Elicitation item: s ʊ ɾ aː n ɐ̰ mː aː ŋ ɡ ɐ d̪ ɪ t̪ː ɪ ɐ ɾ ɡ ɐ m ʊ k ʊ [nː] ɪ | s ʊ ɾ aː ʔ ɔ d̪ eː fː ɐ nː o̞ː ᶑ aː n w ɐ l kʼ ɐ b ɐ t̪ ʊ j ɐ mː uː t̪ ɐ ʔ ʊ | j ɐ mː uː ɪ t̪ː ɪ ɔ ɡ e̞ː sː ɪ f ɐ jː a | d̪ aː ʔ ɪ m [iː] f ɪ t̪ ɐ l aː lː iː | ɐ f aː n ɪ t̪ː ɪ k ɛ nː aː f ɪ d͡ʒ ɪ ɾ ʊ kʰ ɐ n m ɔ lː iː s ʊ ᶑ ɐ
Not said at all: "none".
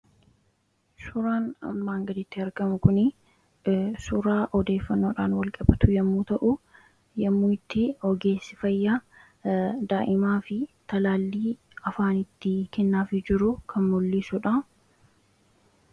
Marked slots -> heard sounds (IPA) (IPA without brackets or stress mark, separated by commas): n, aː